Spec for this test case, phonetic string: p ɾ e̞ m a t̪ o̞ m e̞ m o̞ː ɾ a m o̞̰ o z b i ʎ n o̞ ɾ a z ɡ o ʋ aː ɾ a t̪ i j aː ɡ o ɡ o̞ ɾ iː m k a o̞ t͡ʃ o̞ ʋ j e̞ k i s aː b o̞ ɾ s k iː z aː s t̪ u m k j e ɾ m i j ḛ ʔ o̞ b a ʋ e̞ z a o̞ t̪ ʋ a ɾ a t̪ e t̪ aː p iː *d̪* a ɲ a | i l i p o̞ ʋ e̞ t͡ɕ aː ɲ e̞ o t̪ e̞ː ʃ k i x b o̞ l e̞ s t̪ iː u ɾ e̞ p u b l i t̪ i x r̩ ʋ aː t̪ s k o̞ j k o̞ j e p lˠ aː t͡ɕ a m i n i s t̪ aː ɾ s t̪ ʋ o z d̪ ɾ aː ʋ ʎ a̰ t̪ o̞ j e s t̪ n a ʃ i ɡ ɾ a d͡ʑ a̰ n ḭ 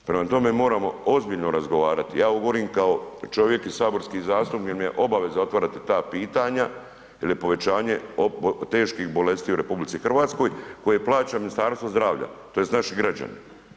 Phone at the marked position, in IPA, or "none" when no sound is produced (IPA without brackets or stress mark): t̪